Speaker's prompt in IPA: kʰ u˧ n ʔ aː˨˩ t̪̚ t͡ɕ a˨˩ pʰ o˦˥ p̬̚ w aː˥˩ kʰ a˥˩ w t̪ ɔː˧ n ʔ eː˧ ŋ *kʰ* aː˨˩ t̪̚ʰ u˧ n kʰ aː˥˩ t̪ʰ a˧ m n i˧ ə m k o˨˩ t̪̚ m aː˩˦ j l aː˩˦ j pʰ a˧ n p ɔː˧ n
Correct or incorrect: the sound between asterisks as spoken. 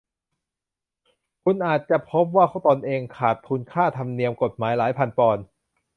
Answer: correct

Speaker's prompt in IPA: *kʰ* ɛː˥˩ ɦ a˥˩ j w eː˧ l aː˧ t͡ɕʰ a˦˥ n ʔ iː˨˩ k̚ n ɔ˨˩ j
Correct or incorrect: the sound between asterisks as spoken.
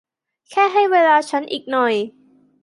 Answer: correct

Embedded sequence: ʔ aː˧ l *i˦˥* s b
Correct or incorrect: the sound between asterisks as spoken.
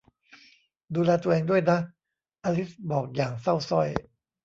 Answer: correct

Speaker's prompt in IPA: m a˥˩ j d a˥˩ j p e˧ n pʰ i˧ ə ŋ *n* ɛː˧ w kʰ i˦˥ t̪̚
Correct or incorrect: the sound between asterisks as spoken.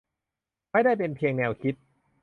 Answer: correct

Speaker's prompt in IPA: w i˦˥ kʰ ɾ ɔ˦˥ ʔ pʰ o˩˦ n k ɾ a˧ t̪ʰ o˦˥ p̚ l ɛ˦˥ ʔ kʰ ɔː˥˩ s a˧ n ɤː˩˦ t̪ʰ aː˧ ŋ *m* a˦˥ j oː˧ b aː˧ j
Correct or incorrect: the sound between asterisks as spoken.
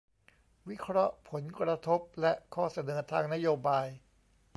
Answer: incorrect: n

